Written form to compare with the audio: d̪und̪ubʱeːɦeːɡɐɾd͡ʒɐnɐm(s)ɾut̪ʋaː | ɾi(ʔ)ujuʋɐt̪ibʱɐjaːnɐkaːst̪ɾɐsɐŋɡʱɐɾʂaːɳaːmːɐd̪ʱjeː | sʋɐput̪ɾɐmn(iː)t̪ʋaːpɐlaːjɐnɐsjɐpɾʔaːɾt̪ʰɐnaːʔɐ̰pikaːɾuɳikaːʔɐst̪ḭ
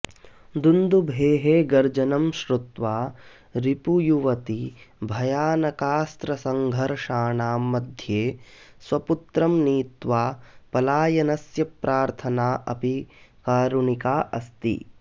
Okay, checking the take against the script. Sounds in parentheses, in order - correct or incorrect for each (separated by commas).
incorrect, incorrect, correct